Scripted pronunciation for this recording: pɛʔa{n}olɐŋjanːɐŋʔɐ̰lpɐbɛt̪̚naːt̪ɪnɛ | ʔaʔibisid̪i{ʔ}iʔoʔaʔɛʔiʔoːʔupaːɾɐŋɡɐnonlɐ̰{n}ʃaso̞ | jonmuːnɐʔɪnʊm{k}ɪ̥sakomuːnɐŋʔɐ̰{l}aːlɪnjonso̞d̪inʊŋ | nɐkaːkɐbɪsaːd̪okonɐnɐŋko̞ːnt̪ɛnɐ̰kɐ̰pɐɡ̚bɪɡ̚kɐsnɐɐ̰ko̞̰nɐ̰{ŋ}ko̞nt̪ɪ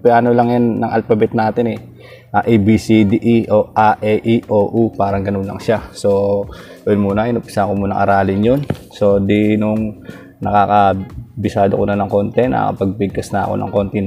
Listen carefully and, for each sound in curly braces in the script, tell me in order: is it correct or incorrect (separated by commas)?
correct, correct, incorrect, incorrect, incorrect, correct